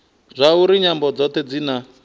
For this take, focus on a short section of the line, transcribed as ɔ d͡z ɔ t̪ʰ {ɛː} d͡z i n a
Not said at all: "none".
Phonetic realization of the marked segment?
ɛ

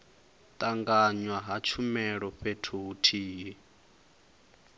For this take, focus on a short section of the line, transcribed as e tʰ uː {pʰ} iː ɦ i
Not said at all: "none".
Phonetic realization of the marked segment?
tʰ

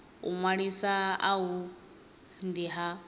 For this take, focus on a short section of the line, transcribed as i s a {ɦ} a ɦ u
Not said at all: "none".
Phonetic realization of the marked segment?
none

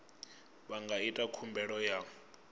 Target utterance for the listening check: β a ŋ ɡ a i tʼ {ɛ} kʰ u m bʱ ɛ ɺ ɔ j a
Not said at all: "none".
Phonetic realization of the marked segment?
a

